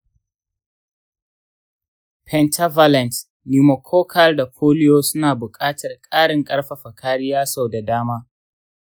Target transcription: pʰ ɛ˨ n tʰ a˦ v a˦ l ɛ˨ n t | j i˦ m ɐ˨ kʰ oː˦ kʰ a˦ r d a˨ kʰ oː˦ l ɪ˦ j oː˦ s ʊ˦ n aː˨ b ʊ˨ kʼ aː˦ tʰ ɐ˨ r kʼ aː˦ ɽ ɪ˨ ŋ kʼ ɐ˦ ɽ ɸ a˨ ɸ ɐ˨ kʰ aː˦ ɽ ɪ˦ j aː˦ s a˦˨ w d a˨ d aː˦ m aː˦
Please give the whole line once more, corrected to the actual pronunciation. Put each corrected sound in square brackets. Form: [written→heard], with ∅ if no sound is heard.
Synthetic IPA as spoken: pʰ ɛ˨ n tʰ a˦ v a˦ l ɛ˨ n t | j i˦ m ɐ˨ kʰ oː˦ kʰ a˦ r d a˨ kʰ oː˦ l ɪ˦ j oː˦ s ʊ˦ n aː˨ b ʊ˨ kʼ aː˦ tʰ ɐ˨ r kʼ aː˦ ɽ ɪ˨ ŋ kʼ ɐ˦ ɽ ɸ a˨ ɸ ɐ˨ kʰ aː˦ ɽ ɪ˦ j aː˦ s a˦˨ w d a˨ d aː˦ m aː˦